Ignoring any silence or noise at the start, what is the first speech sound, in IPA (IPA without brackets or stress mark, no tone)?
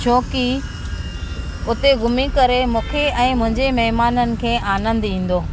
t͡ɕʰ